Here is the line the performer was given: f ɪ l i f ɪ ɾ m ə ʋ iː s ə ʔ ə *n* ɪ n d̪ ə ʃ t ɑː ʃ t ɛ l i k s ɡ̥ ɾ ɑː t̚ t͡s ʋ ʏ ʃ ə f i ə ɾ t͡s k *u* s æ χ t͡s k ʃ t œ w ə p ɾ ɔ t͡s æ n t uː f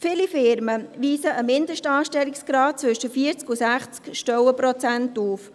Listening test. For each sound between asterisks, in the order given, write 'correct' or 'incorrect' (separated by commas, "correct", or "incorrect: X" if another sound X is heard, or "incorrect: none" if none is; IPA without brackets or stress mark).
incorrect: m, correct